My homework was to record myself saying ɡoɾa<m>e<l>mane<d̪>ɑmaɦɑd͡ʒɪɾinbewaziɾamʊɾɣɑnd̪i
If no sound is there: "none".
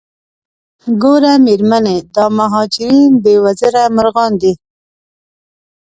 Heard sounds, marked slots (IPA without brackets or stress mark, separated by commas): m, ɾ, d̪